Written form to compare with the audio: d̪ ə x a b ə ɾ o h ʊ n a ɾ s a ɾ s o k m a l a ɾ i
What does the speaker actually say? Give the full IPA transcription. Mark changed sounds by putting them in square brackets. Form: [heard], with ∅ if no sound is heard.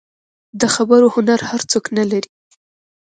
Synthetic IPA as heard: d̪ ə x a b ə ɾ o h ʊ n a ɾ [h] a ɾ [t͡s] o k [n] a l a ɾ i